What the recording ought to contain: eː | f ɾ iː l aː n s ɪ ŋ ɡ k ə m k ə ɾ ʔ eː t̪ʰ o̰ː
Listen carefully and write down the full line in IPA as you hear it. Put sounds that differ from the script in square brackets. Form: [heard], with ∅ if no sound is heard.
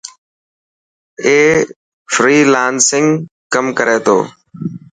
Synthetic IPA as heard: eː | f ɾ iː l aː n s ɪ ŋ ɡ k ə m k ə ɾ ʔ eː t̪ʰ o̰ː